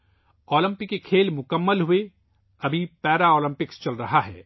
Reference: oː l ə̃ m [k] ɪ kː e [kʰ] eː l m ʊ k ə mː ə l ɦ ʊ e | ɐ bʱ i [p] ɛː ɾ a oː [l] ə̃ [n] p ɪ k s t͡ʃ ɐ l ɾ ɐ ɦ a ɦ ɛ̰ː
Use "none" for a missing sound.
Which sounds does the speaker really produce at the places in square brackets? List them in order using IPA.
p, kʰ, p, l, m

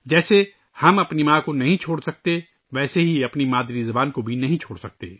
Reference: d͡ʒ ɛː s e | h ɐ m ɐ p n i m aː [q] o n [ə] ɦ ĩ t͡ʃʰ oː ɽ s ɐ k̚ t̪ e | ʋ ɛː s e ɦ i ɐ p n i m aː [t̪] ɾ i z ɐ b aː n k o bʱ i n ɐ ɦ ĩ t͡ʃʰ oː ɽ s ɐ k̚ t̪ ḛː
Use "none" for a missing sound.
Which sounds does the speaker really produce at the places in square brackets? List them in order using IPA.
k, ɐ, d̪

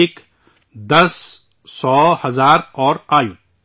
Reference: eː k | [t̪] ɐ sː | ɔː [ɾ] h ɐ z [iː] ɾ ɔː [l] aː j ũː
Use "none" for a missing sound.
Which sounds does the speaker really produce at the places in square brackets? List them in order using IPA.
d̪, none, aː, ɾ

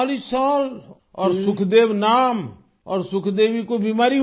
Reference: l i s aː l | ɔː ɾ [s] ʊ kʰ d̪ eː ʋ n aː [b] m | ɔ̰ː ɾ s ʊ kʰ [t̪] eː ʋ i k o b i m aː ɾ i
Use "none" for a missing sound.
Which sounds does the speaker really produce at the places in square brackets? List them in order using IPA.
s, none, d̪

